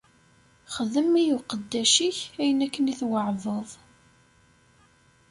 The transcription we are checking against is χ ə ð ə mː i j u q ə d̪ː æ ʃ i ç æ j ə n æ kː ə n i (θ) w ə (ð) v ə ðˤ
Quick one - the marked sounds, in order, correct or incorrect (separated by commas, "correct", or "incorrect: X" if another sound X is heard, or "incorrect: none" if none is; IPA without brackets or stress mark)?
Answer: correct, incorrect: ʕ